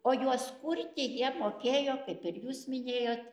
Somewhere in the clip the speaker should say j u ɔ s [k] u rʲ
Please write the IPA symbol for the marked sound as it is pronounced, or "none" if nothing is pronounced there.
k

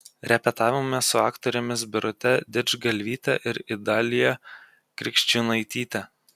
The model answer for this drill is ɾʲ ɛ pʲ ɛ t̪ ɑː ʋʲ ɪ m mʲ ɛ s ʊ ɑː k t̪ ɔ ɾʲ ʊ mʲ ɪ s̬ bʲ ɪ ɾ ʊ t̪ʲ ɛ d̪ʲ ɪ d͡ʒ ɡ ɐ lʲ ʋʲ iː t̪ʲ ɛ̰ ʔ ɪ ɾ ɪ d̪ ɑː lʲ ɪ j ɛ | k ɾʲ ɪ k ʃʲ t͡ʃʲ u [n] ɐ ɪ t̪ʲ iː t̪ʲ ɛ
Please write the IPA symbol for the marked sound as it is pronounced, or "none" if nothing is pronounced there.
n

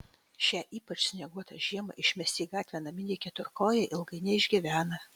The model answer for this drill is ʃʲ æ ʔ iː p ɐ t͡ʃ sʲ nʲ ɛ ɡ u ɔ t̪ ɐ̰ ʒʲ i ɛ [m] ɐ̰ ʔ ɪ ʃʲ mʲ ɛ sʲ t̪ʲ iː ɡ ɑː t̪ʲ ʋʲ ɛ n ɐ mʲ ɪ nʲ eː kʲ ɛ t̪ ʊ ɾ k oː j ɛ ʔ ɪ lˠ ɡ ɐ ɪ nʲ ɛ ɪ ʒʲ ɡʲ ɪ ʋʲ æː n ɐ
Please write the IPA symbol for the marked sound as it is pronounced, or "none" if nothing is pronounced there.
m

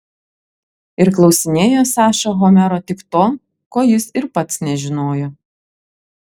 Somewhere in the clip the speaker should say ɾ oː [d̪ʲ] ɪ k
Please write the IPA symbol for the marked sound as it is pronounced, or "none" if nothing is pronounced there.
t̪ʲ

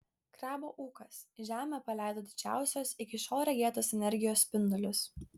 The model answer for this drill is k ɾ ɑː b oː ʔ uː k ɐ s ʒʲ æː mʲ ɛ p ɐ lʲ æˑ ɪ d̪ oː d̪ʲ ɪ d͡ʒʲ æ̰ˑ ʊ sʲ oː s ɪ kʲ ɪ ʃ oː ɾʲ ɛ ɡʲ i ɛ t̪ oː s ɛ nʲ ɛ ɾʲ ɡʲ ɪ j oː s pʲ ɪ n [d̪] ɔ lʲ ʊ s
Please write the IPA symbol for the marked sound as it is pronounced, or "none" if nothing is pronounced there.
d̪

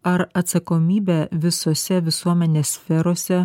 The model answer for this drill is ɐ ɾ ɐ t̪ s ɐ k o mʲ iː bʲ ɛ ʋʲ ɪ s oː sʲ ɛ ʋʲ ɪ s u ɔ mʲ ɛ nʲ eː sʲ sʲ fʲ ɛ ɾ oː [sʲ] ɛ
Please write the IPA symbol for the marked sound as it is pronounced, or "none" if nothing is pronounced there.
sʲ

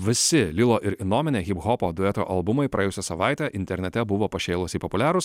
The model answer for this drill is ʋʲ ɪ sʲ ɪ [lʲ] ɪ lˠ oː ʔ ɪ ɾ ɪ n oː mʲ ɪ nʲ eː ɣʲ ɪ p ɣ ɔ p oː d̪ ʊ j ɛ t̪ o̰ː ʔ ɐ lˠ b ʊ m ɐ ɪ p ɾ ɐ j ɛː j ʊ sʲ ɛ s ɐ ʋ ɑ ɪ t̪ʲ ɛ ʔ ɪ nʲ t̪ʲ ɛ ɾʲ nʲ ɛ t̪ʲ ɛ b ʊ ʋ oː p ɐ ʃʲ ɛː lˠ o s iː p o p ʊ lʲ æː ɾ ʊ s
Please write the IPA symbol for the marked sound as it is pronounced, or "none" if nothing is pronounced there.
lʲ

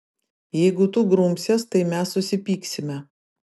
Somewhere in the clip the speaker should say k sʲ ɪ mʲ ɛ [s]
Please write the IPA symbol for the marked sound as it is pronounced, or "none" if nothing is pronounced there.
none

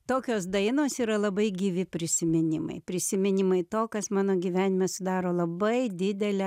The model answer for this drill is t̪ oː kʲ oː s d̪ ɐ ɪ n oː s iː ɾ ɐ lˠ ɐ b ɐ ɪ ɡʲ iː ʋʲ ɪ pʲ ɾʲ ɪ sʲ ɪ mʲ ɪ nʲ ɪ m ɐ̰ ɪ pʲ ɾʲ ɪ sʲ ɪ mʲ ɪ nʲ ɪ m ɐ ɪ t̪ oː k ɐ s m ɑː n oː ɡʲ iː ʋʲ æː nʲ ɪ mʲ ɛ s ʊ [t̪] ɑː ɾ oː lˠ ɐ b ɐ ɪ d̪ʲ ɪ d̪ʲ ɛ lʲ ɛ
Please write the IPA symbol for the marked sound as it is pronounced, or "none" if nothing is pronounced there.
d̪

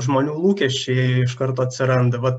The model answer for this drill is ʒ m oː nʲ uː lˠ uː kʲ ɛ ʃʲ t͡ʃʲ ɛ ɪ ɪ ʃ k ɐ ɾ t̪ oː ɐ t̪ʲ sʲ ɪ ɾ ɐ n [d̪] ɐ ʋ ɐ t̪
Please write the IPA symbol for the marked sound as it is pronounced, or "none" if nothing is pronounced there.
d̪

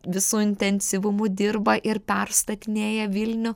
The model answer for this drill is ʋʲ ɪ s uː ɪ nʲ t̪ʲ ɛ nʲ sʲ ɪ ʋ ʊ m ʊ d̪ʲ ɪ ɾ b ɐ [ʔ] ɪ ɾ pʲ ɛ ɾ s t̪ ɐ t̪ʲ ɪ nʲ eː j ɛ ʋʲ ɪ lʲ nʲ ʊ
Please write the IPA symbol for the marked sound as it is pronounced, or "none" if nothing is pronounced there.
ʔ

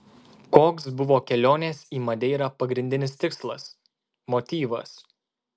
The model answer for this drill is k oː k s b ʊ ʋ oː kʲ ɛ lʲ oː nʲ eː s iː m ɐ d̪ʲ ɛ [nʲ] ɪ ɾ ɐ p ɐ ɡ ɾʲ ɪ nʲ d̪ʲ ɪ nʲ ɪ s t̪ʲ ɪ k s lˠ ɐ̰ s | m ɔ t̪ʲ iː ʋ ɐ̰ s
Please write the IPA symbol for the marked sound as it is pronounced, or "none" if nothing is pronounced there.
none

